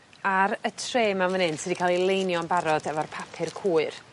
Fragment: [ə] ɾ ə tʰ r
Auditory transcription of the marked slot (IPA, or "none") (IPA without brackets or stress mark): a